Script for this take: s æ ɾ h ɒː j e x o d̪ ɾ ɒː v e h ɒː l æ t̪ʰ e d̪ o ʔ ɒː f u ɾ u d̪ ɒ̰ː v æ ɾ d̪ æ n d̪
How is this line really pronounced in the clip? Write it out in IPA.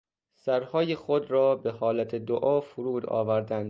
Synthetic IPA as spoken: s æ ɾ h ɒː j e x o d̪ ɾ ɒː b e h ɒː l æ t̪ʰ e d̪ o ʔ ɒː f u ɾ uː d̪ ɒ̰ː v æ ɾ d̪ æ n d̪